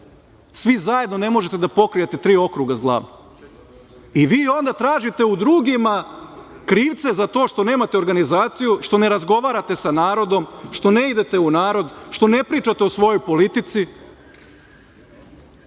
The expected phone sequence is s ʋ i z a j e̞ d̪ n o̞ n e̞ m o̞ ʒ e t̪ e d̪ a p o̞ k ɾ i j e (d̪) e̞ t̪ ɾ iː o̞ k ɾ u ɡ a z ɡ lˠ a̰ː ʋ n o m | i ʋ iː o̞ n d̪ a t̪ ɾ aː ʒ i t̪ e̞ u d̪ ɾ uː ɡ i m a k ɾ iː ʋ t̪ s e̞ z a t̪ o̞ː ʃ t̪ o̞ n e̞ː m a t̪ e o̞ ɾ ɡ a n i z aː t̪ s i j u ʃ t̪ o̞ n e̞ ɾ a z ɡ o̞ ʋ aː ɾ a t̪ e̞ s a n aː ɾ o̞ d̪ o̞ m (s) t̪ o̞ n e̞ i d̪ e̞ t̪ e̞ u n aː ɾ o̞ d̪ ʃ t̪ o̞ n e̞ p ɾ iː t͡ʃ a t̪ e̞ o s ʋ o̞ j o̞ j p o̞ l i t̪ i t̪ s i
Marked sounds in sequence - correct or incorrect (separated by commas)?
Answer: incorrect, incorrect